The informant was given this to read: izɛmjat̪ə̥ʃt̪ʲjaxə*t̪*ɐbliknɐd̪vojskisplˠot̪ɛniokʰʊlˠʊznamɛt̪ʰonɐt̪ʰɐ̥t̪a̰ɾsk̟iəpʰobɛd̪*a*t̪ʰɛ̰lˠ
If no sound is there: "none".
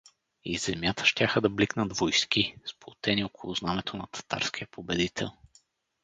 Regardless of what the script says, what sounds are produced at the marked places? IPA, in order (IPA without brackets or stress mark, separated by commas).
d̪, i